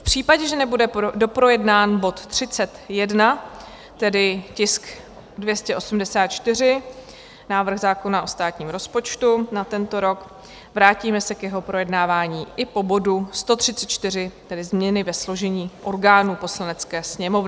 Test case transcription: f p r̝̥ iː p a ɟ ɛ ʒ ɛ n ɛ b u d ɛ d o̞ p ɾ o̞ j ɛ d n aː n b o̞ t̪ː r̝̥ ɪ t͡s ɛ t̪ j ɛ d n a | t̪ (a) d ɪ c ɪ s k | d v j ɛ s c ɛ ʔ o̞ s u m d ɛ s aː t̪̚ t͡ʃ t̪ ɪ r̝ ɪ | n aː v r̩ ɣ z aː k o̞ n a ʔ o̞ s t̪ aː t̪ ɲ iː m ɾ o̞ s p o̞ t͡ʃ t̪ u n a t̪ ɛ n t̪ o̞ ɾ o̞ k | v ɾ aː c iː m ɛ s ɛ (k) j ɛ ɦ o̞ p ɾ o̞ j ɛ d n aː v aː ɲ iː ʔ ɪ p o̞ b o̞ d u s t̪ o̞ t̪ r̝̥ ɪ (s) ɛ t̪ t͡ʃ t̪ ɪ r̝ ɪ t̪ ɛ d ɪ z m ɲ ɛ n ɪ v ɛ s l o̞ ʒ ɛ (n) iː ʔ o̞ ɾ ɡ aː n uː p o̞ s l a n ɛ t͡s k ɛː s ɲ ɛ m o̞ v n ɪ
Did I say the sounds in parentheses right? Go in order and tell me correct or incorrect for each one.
incorrect: ɛ, correct, incorrect: t͡s, incorrect: ɲ

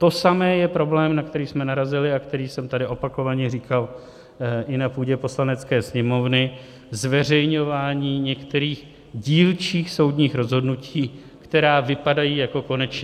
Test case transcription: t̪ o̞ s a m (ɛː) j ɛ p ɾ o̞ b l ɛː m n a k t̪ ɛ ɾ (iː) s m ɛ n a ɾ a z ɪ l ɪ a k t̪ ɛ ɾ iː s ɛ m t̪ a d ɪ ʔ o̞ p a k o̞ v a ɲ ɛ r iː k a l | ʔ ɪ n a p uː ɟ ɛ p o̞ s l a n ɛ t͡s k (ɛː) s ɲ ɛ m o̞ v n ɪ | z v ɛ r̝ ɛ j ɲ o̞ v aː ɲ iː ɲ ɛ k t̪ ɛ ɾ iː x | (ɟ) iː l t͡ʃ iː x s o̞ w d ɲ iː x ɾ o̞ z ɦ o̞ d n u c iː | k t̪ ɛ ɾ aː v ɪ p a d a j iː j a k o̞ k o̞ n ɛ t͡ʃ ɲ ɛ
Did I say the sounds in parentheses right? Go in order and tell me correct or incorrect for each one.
correct, correct, correct, correct

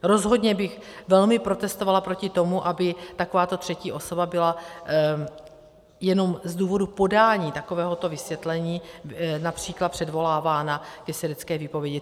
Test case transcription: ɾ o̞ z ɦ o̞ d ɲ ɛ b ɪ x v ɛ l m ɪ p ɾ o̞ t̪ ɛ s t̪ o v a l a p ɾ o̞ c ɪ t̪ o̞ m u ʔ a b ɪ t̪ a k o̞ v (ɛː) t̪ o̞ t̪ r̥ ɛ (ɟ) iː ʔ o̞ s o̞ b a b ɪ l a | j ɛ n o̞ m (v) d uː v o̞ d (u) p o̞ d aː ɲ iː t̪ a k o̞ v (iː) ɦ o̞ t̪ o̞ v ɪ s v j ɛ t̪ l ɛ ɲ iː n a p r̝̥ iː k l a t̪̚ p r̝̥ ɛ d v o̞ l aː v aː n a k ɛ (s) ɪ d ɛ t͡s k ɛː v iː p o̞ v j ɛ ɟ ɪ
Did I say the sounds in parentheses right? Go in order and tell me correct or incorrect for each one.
incorrect: aː, incorrect: c, incorrect: z, correct, incorrect: ɛː, correct

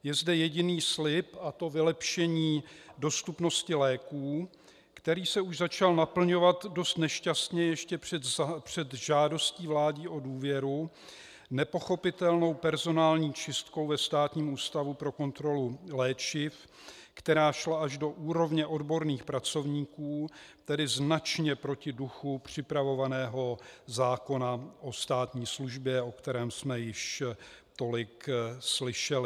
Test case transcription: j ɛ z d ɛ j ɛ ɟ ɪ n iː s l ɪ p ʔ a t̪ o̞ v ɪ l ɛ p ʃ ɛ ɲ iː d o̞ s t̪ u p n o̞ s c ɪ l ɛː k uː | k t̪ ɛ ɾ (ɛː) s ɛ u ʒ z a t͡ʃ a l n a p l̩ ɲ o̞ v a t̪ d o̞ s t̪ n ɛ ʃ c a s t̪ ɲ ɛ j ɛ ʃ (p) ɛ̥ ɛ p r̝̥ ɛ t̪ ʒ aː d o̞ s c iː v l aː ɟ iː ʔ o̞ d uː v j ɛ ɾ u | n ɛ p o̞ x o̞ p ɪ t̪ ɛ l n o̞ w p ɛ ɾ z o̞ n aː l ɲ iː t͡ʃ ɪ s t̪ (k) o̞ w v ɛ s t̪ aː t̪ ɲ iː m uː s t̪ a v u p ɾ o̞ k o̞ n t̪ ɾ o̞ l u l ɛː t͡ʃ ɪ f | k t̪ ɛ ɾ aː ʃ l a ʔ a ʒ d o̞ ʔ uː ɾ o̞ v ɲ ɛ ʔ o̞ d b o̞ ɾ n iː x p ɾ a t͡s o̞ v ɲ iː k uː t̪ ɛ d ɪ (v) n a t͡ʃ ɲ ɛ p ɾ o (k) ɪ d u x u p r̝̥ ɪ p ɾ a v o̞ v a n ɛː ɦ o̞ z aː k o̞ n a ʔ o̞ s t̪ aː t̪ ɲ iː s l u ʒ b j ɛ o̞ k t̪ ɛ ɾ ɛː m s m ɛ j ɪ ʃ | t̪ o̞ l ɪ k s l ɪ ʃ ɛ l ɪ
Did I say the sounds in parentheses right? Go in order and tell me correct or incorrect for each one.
incorrect: iː, incorrect: c, correct, incorrect: z, incorrect: c

